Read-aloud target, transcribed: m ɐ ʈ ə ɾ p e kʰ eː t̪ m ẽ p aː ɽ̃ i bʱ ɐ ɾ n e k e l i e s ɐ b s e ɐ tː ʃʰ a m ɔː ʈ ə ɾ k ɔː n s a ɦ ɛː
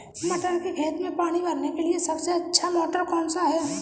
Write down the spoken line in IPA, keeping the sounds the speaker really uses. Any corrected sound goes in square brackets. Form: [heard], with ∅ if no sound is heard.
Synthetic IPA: m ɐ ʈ ə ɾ [k] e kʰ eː t̪ m ẽ p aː ɽ̃ i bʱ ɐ ɾ n e k e l i e s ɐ b s e ɐ tː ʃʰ a m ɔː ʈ ə ɾ k ɔː n s a ɦ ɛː